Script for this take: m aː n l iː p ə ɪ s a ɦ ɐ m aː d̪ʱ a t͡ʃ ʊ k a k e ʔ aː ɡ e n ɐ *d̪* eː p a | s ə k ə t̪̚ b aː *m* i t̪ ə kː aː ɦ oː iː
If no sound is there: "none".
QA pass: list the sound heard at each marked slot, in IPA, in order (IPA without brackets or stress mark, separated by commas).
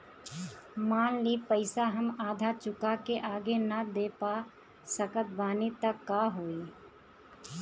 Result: d̪, n